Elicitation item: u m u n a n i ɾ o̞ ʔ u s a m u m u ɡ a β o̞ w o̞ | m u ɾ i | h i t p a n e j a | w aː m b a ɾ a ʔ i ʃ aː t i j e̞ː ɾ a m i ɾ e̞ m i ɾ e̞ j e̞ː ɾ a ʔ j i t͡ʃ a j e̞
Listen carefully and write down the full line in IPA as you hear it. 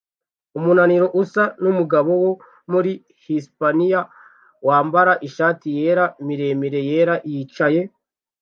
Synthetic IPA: u m u n a n i ɾ o̞ ʔ u s a n u m u ɡ a β o̞ w o̞ | m u ɾ i | h i s p a n i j a | w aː m b a ɾ a ʔ i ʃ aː t i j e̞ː ɾ a m i ɾ e̞ m i ɾ e̞ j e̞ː ɾ a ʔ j i t͡ʃ a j e̞